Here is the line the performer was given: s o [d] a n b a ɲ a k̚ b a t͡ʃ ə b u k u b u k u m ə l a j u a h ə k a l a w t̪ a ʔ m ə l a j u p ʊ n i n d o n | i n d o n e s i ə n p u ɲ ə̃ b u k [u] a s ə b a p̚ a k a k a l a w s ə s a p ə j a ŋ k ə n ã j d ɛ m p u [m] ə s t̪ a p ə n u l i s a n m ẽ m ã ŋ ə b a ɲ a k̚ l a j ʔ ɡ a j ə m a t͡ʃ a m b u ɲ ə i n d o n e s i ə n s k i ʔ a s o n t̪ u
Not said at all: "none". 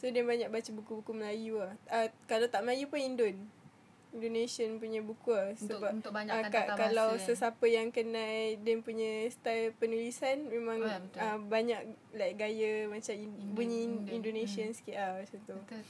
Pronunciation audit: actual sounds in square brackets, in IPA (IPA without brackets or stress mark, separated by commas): d, u, ɲ